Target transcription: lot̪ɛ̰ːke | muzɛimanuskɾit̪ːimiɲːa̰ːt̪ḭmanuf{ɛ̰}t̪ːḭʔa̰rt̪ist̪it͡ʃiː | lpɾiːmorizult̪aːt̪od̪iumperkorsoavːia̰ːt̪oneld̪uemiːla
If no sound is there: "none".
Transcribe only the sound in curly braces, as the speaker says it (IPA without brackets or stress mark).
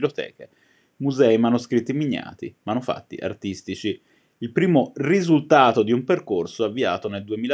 a̰